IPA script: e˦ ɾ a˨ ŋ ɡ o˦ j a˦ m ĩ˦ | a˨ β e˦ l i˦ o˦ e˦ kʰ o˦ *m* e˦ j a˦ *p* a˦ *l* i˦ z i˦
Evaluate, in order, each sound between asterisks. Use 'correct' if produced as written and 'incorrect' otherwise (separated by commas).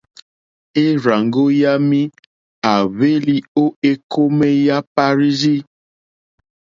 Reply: correct, correct, incorrect